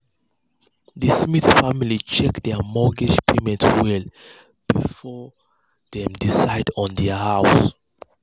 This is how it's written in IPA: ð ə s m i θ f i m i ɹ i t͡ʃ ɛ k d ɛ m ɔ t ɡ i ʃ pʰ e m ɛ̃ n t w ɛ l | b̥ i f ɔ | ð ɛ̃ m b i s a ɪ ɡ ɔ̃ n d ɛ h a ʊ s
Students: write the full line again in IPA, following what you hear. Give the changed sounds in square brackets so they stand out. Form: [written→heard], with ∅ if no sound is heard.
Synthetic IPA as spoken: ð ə s m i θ f [i→a] m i [ɹ→l] i t͡ʃ ɛ k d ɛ m ɔ [t→∅] ɡ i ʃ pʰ e m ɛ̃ n t w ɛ l | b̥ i f ɔ | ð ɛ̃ m [b→d] i s a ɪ [ɡ→d] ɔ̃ n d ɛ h a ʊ s